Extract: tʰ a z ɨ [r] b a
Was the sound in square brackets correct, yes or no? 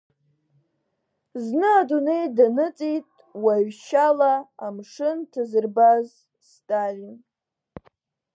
yes